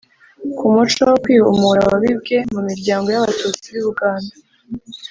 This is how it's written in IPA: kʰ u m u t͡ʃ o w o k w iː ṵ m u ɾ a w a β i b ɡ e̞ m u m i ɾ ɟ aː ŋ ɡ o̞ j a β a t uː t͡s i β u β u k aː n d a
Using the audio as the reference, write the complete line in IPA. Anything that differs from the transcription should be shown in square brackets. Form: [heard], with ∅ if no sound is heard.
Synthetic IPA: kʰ u m u t͡ʃ o w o k w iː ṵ m u ɾ a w a β i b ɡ e̞ m u m i ɾ ɟ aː ŋ ɡ o̞ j a β a t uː t͡s i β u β u [ɡ] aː n d a

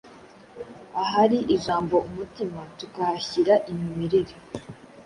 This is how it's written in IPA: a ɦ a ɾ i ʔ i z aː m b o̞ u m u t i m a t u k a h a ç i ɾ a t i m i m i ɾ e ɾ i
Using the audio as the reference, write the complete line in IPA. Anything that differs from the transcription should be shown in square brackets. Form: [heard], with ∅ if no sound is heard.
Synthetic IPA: a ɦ a ɾ i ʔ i [ʒ] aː m b o̞ u m u t i m a t u k a h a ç i ɾ a [ʔ] i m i m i ɾ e ɾ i

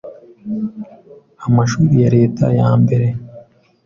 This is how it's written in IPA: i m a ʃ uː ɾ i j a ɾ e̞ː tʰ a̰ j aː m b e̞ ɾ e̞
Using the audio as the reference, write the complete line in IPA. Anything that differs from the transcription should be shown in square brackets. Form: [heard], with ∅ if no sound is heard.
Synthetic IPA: [a] m a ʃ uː ɾ i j a ɾ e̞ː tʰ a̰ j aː m b e̞ ɾ e̞

